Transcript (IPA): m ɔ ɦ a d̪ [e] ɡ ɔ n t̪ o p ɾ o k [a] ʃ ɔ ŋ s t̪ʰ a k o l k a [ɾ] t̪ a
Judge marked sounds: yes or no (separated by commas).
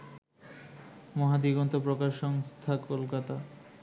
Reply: no, yes, no